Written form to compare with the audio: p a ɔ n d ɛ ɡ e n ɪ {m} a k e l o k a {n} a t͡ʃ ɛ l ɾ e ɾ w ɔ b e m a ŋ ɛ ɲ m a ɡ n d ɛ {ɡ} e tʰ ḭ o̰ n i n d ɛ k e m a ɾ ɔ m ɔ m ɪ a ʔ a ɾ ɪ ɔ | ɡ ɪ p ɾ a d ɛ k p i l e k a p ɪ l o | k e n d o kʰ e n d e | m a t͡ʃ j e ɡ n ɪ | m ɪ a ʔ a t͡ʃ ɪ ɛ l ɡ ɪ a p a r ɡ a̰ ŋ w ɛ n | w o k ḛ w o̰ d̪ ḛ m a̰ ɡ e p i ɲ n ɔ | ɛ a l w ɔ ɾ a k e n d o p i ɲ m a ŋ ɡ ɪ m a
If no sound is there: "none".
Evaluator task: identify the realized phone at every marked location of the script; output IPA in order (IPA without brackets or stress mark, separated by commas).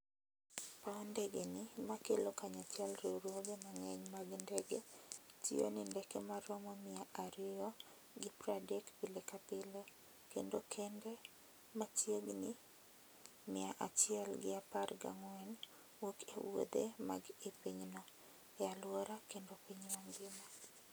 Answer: m, ɲ, ɡ